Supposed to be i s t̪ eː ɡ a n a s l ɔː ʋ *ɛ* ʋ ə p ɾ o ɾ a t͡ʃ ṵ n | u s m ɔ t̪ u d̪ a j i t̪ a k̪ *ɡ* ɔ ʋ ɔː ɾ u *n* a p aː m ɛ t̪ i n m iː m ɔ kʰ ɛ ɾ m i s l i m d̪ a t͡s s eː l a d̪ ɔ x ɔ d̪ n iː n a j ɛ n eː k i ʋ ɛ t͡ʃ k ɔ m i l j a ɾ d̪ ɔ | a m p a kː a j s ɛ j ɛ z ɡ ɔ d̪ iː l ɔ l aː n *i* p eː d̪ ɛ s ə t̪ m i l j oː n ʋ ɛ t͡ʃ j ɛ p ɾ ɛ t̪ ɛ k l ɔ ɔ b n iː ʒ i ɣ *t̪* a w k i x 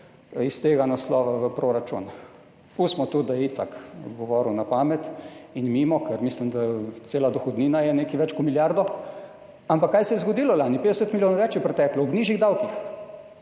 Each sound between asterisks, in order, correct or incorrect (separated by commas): incorrect, correct, correct, correct, incorrect